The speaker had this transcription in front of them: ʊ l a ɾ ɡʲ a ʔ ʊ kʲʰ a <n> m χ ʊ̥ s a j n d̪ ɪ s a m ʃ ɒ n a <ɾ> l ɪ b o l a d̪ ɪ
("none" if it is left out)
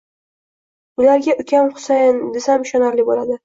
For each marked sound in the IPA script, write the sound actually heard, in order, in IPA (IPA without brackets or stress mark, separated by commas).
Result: none, ɾ